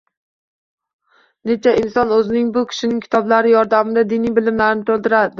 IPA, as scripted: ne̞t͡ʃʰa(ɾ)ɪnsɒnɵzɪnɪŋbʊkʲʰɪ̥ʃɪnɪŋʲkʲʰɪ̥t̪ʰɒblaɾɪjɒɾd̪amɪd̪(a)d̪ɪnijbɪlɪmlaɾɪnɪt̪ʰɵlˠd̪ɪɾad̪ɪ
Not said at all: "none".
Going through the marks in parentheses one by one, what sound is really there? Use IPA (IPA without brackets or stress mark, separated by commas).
none, a